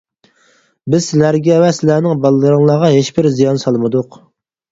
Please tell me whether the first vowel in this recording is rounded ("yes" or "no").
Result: no